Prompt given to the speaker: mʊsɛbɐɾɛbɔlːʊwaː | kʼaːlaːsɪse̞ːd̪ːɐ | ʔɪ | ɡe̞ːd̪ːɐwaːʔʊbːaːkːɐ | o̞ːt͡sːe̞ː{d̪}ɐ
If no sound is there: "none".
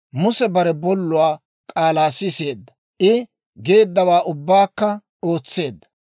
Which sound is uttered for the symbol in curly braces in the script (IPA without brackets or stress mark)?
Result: d̪ː